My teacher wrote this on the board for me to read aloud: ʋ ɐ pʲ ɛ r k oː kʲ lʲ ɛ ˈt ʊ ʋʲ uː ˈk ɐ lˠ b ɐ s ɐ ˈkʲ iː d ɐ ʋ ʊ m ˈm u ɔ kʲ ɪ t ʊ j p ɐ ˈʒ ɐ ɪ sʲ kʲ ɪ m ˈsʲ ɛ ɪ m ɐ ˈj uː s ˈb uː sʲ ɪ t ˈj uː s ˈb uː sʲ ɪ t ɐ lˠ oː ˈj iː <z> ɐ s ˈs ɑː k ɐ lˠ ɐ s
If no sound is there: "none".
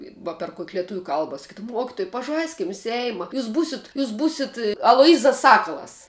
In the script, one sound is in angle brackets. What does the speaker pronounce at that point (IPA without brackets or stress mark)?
z